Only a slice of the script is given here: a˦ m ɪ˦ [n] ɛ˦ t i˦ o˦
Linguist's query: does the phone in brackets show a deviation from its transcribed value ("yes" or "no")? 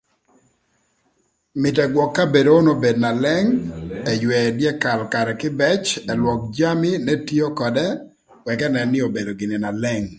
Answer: no